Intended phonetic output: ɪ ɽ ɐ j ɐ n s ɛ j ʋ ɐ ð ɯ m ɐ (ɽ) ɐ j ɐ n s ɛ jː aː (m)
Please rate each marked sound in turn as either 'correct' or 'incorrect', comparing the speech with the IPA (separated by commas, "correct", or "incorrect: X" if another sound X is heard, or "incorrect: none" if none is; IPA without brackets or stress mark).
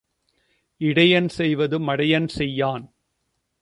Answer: correct, incorrect: n